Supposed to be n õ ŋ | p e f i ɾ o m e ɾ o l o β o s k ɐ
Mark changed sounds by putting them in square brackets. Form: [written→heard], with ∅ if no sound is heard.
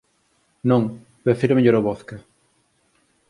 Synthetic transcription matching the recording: n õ ŋ | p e f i ɾ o m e [ɾ→ʎ] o [l→ɾ] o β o [s→θ] k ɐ

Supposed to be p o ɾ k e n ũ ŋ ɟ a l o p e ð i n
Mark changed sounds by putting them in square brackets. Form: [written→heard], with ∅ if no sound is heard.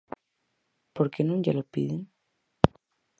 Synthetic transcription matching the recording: p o ɾ k e n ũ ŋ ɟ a l o p [e→i] ð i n

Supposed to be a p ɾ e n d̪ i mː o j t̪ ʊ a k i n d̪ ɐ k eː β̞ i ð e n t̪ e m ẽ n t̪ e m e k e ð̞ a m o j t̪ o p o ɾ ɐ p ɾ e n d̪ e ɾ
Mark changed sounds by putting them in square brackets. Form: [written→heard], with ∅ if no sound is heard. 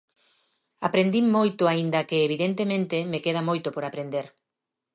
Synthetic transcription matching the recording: a p ɾ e n d̪ i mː o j t̪ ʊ a [k→∅] i n d̪ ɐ k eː β̞ i ð e n t̪ e m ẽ n t̪ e m e k e ð̞ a m o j t̪ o p o ɾ [ɐ→a] p ɾ e n d̪ e ɾ

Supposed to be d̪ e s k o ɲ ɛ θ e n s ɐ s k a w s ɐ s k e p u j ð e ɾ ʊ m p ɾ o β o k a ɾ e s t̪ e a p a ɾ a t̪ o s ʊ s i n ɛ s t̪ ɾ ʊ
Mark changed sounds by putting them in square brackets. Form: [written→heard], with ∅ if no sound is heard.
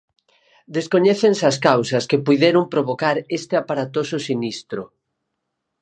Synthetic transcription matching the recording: d̪ e s k o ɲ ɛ θ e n s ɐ s k a w s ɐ s k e p u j ð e ɾ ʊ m p ɾ o β o k a ɾ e s t̪ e a p a ɾ a t̪ o s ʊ s i n [ɛ→i] s t̪ ɾ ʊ

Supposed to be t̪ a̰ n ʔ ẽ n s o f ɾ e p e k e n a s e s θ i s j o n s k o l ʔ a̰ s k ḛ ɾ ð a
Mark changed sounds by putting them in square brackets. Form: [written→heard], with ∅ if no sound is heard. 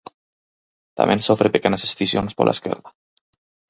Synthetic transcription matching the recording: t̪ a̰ [n→m] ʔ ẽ n s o f ɾ e p e k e n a s e s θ i s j o n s [k→p] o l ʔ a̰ s k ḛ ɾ ð a

